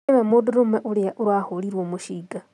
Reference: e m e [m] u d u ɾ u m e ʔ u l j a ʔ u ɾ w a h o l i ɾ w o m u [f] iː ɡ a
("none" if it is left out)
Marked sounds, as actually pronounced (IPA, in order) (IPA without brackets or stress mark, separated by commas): m, ʃ